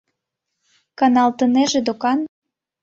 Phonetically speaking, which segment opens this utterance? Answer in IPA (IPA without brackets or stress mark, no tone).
k